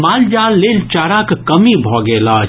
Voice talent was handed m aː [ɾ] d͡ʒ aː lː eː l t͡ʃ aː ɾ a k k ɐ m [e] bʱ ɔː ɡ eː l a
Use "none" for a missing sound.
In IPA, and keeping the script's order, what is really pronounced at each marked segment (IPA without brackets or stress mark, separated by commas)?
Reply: l, i